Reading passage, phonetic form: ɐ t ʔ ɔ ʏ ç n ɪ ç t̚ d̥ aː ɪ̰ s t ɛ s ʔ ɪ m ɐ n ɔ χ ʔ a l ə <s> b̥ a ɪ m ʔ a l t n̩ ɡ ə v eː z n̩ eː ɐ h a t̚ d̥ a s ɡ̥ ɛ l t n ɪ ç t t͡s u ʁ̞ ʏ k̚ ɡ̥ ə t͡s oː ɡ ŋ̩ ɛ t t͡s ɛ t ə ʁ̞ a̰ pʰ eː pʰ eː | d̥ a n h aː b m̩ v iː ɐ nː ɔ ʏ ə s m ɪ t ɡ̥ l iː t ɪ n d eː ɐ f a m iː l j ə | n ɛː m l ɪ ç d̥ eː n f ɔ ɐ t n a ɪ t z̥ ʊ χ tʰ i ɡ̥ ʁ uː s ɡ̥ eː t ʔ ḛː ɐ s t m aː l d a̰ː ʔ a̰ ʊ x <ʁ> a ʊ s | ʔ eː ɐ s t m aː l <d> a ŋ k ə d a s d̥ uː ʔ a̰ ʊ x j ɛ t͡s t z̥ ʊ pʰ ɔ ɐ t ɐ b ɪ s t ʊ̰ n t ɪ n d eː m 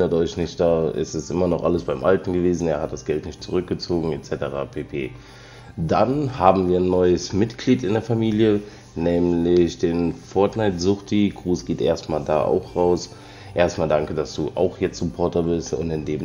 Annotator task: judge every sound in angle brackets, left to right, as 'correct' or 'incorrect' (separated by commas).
correct, correct, correct